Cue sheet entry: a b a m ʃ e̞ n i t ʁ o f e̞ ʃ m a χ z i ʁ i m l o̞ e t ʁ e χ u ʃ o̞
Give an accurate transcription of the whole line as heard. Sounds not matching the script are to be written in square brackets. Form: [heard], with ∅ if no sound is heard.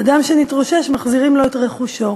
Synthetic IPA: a [d] a m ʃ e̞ n i t ʁ o [ʃ] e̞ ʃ m a χ z i ʁ i m l o̞ e t ʁ e χ u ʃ o̞

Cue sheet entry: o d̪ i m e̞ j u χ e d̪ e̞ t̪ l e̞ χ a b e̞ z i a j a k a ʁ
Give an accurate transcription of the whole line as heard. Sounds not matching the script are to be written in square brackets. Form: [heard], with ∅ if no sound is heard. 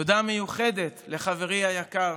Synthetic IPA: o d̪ [a] m e̞ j u χ e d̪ e̞ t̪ l e̞ χ a [v] e̞ [ʁ] i a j a k a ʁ

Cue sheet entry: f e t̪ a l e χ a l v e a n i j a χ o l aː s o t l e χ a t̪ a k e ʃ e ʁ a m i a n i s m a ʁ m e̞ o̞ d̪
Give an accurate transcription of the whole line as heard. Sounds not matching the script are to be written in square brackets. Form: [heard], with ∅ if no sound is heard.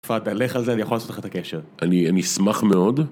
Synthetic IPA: f [a] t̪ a l e χ a l [z] e a n i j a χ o l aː s o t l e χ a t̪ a k e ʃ e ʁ a [n] i a n i s m a [χ] m e̞ o̞ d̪

